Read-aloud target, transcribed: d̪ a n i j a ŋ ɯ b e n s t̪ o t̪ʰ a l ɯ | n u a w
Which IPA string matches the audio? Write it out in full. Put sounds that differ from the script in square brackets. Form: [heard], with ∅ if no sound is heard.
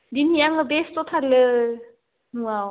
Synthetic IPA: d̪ [i] n i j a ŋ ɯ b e [∅] s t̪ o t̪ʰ a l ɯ | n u a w